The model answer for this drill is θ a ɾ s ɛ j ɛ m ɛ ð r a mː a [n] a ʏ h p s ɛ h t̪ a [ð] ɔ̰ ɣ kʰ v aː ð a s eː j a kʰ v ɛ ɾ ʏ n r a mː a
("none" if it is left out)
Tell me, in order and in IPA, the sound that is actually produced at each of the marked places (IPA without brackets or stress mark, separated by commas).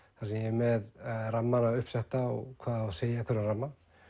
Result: n, none